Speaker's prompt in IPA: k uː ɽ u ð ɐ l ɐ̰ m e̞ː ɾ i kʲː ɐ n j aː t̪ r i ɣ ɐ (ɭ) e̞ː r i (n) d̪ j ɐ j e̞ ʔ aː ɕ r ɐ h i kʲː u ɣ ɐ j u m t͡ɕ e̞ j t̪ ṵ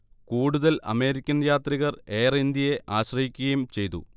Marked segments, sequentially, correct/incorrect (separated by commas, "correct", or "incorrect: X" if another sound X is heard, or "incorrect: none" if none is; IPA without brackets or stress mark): incorrect: r, correct